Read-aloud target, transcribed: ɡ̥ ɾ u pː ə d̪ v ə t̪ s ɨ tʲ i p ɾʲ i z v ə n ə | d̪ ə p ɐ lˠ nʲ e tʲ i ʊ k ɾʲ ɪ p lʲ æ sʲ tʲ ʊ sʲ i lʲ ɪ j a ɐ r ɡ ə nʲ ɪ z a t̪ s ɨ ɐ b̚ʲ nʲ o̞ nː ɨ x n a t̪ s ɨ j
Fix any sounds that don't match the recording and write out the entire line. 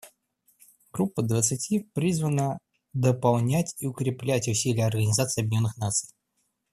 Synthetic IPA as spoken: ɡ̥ ɾ u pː ə d̪ v ə t̪ s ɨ tʲ i p ɾʲ i z v ə n ə | d̪ ə p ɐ lˠ nʲ æ tʲ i ʊ k ɾʲ ɪ p lʲ æ tʲ ʊ sʲ i lʲ ɪ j ə ɐ r ɡ ə nʲ ɪ z a t̪ s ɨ ɐ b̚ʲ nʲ o̞ nː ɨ x n a t̪ s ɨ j